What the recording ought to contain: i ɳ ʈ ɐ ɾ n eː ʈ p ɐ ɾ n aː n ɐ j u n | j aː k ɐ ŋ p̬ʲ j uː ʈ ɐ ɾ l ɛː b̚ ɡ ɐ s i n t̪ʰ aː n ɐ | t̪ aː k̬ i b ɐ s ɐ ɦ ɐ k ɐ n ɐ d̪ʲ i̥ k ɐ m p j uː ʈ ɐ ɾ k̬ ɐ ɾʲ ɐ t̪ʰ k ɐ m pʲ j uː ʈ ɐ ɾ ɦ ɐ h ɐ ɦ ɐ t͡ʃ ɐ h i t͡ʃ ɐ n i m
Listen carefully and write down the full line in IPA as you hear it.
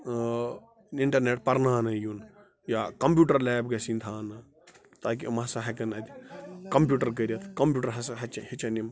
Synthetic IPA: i ɳ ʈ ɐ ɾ n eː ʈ p ɐ ɾ n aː n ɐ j u n | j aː k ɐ m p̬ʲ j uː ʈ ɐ ɾ l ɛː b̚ ɡ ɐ s i n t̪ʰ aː n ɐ | t̪ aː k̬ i m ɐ s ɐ ɦ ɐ k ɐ n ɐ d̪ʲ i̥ k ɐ m p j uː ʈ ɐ ɾ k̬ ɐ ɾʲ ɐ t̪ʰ k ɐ m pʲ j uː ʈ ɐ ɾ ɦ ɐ s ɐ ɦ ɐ t͡ʃ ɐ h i t͡ʃ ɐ n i m

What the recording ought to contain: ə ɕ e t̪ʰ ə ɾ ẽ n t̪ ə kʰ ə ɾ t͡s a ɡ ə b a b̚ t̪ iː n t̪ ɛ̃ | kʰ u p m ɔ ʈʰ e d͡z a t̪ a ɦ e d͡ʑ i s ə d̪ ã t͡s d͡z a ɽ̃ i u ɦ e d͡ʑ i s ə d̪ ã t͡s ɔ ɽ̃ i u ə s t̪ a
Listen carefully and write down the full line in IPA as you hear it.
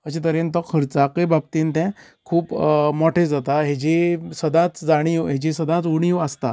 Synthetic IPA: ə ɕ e t̪ ə ɾ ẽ n t̪ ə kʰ ə ɾ t͡s a k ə b a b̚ t̪ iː n t̪ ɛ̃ | kʰ uː p m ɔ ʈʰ e d͡z a t̪ a ɦ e d͡ʑ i s ə d̪ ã t͡s d͡z a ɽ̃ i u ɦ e d͡ʑ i s ə d̪ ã t͡s u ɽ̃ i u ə s t̪ a

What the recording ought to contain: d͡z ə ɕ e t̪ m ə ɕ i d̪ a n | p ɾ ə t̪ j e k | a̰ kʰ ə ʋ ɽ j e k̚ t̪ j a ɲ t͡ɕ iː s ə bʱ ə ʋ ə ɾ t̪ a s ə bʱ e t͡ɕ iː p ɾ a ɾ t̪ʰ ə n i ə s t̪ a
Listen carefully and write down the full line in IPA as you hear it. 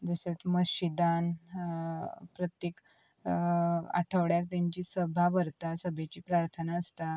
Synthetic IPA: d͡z ə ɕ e t̪ m ə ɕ i d̪ a n | p ɾ ə t̪ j e k | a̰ ʈʰ ə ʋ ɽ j a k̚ t̪ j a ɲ t͡ɕ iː s ə bʱ a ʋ ə ɾ t̪ a s ə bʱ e t͡ɕ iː p ɾ a ɾ t̪ʰ ə n a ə s t̪ a

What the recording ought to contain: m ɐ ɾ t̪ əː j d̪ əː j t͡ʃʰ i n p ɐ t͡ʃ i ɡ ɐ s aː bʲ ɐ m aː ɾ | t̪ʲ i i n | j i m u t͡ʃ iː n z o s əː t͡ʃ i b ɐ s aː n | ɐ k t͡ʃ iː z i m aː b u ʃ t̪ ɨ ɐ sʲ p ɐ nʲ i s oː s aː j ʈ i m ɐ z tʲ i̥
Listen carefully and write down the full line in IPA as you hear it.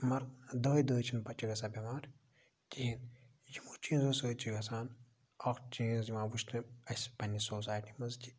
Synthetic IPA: m ɐ ɾ d̪ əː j d̪ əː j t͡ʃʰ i n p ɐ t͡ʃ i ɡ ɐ s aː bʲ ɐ m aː ɾ | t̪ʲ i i n | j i m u t͡ʃ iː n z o s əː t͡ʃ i ɡ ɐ s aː n | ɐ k t͡ʃ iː z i m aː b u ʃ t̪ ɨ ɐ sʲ p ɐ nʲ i s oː s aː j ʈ i m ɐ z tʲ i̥

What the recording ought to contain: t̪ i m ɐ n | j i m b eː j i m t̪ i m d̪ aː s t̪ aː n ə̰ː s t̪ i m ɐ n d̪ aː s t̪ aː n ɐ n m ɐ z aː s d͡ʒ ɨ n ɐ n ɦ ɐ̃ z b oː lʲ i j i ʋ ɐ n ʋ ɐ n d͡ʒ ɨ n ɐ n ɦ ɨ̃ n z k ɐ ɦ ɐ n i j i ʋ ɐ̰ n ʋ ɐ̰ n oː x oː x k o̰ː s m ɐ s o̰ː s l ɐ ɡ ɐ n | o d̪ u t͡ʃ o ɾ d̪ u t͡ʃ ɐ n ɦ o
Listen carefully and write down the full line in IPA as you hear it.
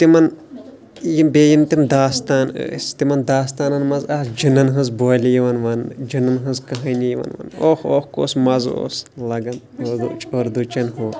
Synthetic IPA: t̪ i m ɐ n | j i m b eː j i m t̪ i m d̪ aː s t̪ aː n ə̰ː s t̪ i m ɐ n d̪ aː s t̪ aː n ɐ n m ɐ z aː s d͡ʒ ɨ n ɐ n ɦ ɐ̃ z b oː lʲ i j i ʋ ɐ n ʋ ɐ n d͡ʒ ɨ n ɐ n ɦ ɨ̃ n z k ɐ ɦ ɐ n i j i ʋ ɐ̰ n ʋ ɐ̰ n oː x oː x k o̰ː s m ɐ z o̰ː s l ɐ ɡ ɐ n | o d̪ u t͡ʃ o ɾ d̪ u t͡ʃ ɐ n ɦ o

